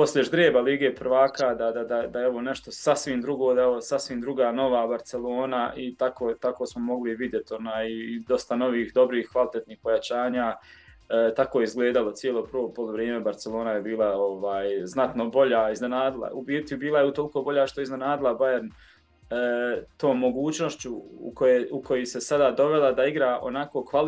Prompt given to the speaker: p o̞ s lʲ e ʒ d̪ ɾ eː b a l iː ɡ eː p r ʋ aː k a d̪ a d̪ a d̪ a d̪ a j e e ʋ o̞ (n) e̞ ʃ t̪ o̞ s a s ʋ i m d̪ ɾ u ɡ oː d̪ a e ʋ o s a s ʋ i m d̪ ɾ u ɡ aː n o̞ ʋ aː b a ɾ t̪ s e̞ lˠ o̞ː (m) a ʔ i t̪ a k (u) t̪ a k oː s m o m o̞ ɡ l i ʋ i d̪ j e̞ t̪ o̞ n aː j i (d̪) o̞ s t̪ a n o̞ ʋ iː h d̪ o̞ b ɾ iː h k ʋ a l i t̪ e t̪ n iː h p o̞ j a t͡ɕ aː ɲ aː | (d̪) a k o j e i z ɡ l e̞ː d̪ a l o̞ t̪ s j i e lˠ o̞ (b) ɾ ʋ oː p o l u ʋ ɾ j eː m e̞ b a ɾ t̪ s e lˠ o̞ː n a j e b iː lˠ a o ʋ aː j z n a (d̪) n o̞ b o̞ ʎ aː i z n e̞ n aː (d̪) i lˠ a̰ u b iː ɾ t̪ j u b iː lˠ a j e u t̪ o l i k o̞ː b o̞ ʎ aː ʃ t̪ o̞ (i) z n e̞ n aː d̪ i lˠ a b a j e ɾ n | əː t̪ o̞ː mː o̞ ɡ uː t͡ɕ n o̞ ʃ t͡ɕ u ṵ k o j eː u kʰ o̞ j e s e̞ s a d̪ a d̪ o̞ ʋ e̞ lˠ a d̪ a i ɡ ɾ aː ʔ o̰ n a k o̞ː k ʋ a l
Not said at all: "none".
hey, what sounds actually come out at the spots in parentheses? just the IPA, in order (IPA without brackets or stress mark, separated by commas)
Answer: n, n, o, d̪, t̪, p, t̪, d̪, i